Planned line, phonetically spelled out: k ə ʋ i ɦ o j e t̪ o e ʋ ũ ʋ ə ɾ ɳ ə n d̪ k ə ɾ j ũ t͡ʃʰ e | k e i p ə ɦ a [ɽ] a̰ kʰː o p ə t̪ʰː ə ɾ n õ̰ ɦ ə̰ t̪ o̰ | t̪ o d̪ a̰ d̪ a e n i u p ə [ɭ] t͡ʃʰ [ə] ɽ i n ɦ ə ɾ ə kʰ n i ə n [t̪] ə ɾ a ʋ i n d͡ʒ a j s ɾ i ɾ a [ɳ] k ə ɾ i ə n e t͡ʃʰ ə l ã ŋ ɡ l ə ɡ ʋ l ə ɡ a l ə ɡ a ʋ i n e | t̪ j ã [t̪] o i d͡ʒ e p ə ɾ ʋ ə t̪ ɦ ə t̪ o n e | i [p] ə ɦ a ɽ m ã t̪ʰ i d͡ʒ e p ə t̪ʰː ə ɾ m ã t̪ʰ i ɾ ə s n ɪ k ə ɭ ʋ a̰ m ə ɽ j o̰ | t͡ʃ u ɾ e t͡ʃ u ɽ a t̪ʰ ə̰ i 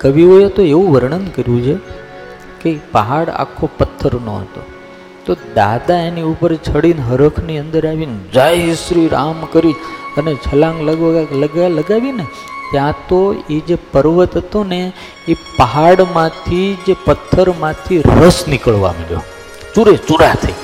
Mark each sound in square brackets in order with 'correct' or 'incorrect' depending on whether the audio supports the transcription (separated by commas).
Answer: correct, incorrect, correct, incorrect, incorrect, correct, correct